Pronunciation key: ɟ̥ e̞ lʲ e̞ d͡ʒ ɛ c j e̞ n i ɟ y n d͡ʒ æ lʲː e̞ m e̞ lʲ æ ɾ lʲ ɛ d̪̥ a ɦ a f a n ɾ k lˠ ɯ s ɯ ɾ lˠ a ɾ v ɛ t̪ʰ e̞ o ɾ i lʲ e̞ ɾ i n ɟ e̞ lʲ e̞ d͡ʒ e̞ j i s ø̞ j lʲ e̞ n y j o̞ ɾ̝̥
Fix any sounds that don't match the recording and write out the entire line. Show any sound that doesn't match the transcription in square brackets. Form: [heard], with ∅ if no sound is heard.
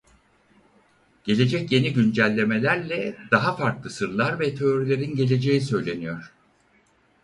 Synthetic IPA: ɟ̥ e̞ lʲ e̞ d͡ʒ ɛ c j e̞ n i ɟ y n d͡ʒ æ lʲː e̞ m e̞ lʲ æ ɾ lʲ ɛ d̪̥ a ɦ a f a [∅] ɾ k lˠ ɯ s ɯ ɾ lˠ a ɾ v ɛ t̪ʰ e̞ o ɾ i lʲ e̞ ɾ i n ɟ e̞ lʲ e̞ d͡ʒ e̞ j i s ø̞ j lʲ e̞ n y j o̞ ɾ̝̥